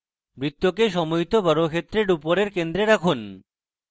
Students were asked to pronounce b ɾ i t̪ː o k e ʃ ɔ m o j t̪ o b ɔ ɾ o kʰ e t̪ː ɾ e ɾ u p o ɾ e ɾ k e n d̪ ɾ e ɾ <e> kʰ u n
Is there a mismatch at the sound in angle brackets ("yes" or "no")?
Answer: yes